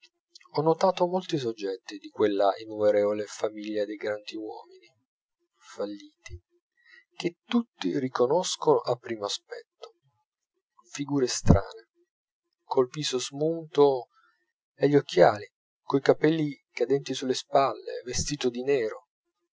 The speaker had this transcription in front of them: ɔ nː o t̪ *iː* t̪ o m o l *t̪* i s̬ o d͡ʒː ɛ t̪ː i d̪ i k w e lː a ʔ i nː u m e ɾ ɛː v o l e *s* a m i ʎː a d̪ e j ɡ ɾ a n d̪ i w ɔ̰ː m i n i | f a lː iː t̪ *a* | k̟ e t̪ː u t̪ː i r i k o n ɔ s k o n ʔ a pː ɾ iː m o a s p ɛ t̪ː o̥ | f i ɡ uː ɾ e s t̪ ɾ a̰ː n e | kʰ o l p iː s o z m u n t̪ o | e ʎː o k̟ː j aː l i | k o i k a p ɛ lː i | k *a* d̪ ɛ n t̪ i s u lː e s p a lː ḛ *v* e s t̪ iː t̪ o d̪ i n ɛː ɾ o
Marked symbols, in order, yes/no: no, yes, no, no, yes, yes

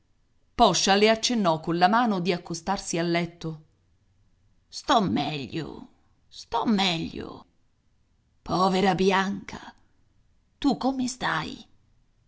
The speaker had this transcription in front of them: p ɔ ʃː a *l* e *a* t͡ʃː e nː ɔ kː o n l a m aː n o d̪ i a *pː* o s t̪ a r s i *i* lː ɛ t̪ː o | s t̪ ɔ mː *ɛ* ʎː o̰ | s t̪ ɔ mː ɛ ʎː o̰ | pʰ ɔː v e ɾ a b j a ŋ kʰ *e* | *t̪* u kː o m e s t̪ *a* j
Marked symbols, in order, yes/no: yes, yes, no, no, yes, no, yes, yes

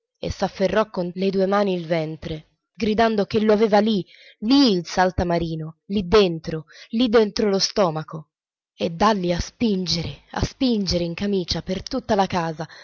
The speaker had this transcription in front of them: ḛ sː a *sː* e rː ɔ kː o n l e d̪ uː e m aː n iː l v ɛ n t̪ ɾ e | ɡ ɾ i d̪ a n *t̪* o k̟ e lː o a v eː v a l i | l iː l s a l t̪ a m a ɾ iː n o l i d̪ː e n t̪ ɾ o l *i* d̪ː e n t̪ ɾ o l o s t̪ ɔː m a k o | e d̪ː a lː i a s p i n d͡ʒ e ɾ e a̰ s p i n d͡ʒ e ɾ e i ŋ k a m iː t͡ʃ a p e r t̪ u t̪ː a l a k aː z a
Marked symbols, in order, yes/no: no, no, yes

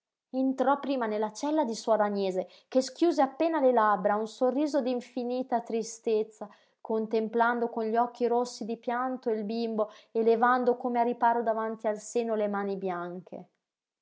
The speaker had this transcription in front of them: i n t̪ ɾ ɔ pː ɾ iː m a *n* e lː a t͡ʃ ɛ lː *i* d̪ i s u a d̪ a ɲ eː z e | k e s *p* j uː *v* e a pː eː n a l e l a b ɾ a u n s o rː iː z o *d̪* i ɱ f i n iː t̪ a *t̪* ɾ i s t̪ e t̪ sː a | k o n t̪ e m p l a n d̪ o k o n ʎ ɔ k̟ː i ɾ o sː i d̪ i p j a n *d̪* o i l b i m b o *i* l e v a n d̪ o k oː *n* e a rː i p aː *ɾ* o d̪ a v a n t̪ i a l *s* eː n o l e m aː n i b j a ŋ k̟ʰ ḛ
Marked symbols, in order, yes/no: yes, no, no, no, yes, yes, no, no, no, yes, yes

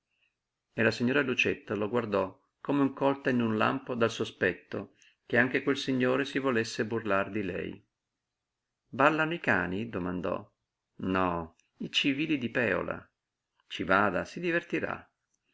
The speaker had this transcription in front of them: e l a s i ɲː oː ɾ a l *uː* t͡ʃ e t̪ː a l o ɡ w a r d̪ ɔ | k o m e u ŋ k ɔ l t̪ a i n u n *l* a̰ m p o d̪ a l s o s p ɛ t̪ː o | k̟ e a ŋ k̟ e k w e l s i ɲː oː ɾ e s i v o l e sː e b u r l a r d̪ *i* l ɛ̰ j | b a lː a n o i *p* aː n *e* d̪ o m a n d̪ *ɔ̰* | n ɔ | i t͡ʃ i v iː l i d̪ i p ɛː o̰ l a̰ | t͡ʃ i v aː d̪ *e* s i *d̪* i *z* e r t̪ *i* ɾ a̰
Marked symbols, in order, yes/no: no, yes, yes, no, no, yes, no, yes, no, yes

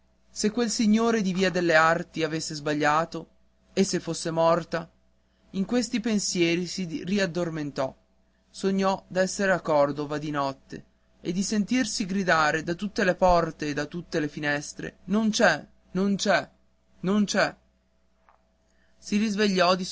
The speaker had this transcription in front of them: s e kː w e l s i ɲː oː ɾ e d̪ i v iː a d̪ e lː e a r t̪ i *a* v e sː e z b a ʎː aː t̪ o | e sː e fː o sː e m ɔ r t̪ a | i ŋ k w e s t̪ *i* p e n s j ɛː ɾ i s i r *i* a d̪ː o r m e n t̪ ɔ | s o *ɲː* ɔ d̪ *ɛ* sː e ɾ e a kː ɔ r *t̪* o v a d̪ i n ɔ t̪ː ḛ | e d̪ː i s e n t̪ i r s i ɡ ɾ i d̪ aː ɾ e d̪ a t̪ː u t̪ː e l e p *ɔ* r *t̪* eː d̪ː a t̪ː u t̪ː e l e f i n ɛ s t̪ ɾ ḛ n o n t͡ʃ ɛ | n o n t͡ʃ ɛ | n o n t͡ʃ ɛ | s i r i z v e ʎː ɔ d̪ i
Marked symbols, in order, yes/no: yes, yes, yes, yes, yes, no, yes, yes

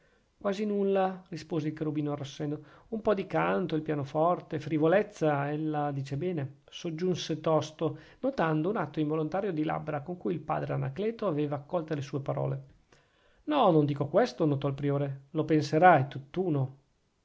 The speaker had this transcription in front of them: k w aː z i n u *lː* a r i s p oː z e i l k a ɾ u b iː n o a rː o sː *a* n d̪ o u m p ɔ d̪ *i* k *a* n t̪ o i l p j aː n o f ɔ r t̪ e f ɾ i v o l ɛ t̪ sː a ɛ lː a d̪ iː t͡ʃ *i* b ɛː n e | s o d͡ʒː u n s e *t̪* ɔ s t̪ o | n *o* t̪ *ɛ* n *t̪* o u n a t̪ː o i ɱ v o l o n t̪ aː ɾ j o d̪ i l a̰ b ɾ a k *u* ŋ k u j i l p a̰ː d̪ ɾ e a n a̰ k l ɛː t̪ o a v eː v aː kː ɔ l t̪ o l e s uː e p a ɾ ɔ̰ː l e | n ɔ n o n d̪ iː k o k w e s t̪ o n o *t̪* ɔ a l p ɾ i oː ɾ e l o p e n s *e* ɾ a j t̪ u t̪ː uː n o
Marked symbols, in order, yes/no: yes, no, yes, yes, no, yes, yes, no, no, no, yes, yes

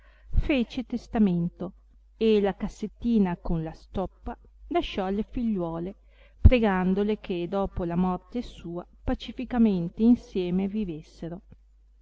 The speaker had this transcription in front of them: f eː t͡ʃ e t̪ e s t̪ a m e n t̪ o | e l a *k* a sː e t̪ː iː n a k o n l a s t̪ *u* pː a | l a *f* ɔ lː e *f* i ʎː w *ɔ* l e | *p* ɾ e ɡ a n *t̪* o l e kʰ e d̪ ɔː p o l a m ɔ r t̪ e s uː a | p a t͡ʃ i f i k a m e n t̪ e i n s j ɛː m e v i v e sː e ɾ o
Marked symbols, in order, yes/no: yes, no, no, yes, no, yes, no

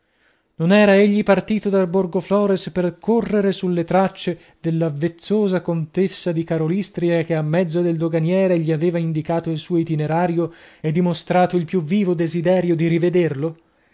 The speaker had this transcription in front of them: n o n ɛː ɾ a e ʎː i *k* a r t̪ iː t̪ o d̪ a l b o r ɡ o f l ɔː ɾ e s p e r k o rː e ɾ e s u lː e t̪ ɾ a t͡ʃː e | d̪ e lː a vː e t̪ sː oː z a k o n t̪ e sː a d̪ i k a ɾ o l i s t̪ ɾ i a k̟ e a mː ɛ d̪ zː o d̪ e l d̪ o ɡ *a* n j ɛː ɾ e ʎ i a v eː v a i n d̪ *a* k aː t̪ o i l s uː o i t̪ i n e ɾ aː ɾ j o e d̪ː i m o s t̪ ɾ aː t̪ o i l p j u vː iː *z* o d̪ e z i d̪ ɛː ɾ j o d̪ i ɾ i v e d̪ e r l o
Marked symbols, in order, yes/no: no, yes, no, no

